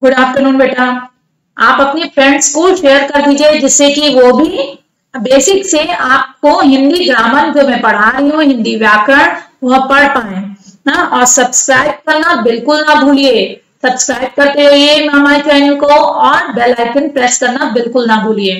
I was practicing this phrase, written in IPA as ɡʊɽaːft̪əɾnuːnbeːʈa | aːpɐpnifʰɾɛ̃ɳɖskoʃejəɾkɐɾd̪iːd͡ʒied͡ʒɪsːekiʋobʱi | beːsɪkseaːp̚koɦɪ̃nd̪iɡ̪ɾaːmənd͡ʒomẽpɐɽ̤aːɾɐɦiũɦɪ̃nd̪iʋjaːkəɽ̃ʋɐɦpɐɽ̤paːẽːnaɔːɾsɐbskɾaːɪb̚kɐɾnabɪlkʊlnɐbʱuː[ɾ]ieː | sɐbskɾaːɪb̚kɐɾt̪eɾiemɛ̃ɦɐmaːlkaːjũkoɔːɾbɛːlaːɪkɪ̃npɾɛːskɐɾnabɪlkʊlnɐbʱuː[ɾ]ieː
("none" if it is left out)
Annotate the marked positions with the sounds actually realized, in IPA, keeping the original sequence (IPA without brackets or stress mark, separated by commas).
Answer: l, l